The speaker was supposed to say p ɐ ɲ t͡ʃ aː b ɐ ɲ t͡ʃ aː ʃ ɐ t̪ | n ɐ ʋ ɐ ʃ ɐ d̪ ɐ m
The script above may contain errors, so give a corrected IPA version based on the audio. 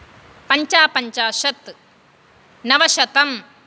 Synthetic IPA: p ɐ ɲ t͡ʃ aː p ɐ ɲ t͡ʃ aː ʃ ɐ t̪ | n ɐ ʋ ɐ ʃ ɐ t̪ ɐ m